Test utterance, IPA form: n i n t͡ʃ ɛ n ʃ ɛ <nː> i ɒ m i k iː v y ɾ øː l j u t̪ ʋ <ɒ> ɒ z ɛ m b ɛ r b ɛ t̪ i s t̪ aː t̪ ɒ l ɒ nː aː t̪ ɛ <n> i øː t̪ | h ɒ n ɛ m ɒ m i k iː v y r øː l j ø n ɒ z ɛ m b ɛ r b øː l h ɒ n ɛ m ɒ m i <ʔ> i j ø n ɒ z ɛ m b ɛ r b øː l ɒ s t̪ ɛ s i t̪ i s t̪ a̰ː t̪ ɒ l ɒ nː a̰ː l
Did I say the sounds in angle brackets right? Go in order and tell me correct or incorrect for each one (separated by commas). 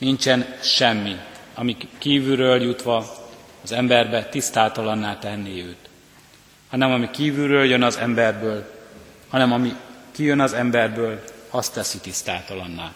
incorrect, correct, incorrect, incorrect